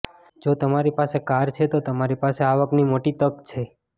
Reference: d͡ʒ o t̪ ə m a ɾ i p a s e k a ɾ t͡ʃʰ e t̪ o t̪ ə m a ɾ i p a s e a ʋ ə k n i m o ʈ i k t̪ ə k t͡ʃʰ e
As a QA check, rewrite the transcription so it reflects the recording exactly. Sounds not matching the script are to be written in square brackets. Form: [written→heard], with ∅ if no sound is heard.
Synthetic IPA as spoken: d͡ʒ o t̪ ə m a ɾ i p a s e k a ɾ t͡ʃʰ e t̪ o t̪ ə m a ɾ i p a s e a ʋ ə k n i m o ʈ i [k→∅] t̪ ə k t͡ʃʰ e

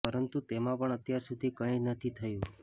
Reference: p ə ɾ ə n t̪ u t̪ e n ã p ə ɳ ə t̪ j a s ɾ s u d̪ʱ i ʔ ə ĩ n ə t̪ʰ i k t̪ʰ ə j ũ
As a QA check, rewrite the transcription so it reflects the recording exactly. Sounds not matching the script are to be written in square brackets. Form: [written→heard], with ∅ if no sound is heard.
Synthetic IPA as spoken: p ə ɾ ə n t̪ u t̪ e [n→m] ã p ə ɳ ə t̪ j a [s→∅] ɾ s u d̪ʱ i [ʔ→k] ə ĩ n ə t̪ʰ i [k→∅] t̪ʰ ə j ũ

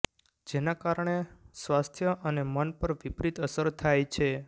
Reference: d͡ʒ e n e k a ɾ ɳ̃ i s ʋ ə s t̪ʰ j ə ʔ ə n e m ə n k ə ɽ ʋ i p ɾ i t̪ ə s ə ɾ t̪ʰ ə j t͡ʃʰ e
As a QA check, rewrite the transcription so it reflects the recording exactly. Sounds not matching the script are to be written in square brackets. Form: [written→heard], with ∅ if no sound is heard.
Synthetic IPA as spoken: d͡ʒ e n [e→a] k a ɾ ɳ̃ [i→e] s ʋ [ə→a] s t̪ʰ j ə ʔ ə n e m ə n [k→p] ə [ɽ→ɾ] ʋ i p ɾ i t̪ ə s ə ɾ t̪ʰ [ə→a] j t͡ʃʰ e

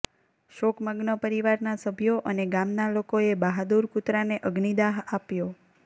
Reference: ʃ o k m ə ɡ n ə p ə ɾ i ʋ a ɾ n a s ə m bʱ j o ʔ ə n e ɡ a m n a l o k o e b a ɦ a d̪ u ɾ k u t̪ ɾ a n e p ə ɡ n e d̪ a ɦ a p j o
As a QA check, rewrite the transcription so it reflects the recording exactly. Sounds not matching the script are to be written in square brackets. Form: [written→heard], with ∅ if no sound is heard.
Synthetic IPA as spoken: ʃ o k m ə ɡ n ə p ə ɾ i ʋ a ɾ n a s ə [m→∅] bʱ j o ʔ ə n e ɡ a m n a l o k o e b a ɦ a d̪ u ɾ k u t̪ ɾ a n e [p→ʔ] ə ɡ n [e→i] d̪ a ɦ a p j o

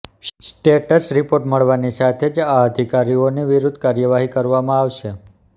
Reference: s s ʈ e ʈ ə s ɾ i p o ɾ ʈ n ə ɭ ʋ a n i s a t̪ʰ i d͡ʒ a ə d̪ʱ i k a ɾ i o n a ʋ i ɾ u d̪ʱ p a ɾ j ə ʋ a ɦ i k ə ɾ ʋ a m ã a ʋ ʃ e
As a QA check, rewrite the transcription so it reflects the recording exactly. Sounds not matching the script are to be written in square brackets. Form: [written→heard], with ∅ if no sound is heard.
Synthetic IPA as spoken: s s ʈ e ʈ ə s ɾ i p o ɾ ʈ [n→m] ə ɭ ʋ a n i s a t̪ʰ [i→e] d͡ʒ a ə d̪ʱ i k a ɾ i o n [a→i] ʋ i ɾ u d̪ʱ [p→k] a ɾ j ə ʋ a ɦ i k ə ɾ ʋ a m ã a ʋ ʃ e

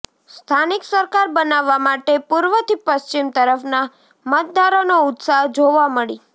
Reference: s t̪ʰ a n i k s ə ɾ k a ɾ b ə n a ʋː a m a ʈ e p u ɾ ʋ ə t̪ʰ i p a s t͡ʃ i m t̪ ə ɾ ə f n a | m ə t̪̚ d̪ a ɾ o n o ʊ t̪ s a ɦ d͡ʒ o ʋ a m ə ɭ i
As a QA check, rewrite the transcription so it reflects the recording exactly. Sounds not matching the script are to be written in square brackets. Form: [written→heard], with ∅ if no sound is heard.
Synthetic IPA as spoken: s t̪ʰ a n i k s ə ɾ k a ɾ b ə n a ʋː a m a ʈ e p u ɾ ʋ ə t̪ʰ i p [a→ə] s t͡ʃ i m t̪ ə ɾ ə f n a | m ə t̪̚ d̪ a ɾ o n o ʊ t̪ s a ɦ d͡ʒ o ʋ a m ə ɭ i

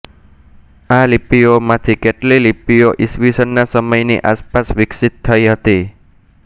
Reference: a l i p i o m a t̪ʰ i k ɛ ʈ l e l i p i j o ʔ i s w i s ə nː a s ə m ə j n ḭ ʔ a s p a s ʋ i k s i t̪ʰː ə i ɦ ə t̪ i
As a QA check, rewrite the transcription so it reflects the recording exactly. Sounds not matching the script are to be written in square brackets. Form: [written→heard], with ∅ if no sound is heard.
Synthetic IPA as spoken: a l i p i o m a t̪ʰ i k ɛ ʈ l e l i p i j o ʔ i s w i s ə nː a s ə m ə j n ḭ ʔ a s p a s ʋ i k s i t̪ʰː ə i ɦ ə t̪ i

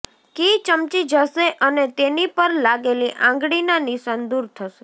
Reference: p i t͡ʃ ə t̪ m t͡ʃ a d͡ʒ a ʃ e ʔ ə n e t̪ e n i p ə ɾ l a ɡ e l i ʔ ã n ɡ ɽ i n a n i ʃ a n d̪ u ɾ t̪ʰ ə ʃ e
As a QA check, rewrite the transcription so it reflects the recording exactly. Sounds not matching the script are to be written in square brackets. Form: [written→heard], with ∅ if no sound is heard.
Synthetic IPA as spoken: [p→k] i t͡ʃ ə [t̪→∅] m t͡ʃ [a→i] d͡ʒ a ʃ e ʔ ə n e t̪ e n i p ə ɾ l a ɡ e l i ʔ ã [n→ŋ] ɡ ɽ i n a n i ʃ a n d̪ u ɾ t̪ʰ ə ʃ e

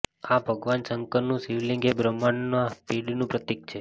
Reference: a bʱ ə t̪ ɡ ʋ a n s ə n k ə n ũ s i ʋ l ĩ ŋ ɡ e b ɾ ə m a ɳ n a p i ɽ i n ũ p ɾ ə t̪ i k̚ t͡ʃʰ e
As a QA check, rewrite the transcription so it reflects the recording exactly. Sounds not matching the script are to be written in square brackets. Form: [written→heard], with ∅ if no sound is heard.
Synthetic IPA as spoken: a bʱ ə [t̪→∅] ɡ ʋ a n s ə [n→ŋ] k ə n ũ s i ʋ l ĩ ŋ ɡ e b ɾ ə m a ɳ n a p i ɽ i n ũ p ɾ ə t̪ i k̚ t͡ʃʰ e

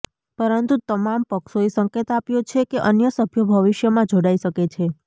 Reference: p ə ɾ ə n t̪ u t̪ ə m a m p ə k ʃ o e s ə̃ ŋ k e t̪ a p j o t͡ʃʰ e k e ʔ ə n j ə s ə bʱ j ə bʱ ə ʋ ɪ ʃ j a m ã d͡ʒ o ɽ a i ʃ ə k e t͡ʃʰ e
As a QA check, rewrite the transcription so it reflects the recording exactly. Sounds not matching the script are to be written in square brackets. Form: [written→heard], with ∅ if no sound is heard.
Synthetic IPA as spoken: p ə ɾ ə n t̪ u t̪ ə m a m p ə k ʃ o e s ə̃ ŋ k e t̪ a p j o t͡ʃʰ e k e ʔ ə n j ə s ə bʱ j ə bʱ ə ʋ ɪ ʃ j [a→ə] m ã d͡ʒ o ɽ a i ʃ ə k e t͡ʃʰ e

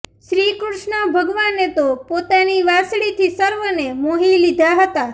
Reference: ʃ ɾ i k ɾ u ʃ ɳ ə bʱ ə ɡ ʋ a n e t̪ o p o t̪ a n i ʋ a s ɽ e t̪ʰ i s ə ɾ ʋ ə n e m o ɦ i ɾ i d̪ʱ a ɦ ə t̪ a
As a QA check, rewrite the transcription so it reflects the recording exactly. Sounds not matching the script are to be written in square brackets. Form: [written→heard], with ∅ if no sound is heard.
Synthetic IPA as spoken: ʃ ɾ i k ɾ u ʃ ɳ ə bʱ ə ɡ ʋ a n e t̪ o p o t̪ a n i ʋ a s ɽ [e→i] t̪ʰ i s ə ɾ ʋ ə n e m o ɦ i [ɾ→l] i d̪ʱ a ɦ ə t̪ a

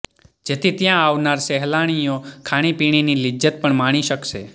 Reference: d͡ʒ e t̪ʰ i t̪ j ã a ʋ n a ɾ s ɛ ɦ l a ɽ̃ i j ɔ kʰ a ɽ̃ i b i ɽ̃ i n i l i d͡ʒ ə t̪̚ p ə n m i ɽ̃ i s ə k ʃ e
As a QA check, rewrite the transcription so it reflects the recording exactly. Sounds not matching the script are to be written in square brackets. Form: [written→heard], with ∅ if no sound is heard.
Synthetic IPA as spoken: d͡ʒ e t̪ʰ i t̪ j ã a ʋ n a ɾ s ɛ ɦ l a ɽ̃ i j [ɔ→o] kʰ a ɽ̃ i [b→p] i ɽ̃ i n i l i d͡ʒ ə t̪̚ p ə [n→ɳ] m [i→a] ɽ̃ i [s→ʃ] ə k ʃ e

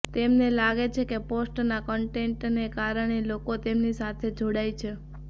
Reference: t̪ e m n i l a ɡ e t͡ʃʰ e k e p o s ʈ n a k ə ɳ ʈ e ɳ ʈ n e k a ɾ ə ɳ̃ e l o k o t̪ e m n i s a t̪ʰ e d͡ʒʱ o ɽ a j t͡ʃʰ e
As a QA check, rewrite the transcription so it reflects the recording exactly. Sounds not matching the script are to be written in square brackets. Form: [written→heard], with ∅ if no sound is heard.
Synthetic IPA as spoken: t̪ e m n [i→e] l a ɡ e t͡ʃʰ e k e p o s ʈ n a k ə ɳ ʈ e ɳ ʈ n e k a ɾ ə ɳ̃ e l o k o t̪ e m n i s a t̪ʰ e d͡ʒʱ o ɽ a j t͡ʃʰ e

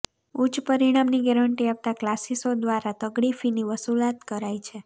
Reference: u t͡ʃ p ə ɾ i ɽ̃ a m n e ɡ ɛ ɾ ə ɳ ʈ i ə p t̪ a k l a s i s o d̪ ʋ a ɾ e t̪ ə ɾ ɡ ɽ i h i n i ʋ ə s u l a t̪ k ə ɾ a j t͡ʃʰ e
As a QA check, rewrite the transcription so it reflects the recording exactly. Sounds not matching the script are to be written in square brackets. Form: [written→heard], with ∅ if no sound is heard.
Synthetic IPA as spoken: u t͡ʃ p ə ɾ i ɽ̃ a m n [e→i] ɡ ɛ ɾ ə ɳ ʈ i [ə→a] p t̪ a k l a s i s o d̪ ʋ a ɾ [e→a] t̪ ə [ɾ→∅] ɡ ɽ i [h→f] i n i ʋ ə s u l a t̪ k ə ɾ a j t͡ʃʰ e

